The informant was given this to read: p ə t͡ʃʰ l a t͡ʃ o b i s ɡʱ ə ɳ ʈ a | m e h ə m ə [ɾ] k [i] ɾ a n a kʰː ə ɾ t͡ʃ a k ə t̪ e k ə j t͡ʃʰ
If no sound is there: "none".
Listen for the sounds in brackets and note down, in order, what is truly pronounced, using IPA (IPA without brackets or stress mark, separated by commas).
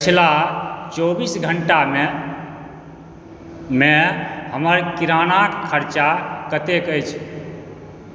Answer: ɾ, i